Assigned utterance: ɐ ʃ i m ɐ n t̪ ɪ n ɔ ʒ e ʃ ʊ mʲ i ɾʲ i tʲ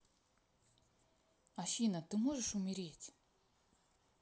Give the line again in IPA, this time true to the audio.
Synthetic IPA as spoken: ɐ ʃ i n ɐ t̪ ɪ m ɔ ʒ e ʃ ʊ mʲ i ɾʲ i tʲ